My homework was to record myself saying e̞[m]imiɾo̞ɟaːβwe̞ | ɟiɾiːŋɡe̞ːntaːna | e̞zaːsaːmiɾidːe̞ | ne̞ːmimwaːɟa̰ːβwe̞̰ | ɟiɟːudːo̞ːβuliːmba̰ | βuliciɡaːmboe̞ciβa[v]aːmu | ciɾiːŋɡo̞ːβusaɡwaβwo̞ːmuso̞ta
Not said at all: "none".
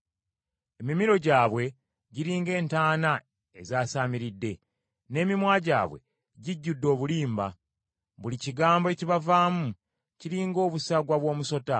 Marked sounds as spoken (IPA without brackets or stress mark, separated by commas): m, v